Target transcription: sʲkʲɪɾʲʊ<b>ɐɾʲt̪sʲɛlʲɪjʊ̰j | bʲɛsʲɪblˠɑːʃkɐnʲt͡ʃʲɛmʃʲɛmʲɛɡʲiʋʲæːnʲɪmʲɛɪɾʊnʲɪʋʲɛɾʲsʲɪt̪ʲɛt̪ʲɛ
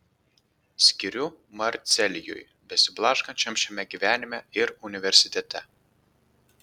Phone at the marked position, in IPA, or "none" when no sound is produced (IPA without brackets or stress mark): m